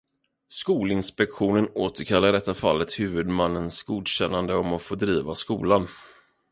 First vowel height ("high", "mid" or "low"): high